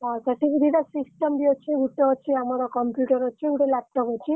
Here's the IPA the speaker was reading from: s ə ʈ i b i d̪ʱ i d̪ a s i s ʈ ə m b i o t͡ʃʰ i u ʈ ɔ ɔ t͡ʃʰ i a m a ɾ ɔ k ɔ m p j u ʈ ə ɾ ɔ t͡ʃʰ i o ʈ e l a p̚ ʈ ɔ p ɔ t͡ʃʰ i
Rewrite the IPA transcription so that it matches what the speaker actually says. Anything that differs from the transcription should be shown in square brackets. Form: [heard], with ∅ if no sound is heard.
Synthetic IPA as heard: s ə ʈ i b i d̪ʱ i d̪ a s i s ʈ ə m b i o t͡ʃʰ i u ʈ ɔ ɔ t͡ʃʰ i a m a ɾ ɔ k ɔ m p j u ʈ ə ɾ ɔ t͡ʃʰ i [u] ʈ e l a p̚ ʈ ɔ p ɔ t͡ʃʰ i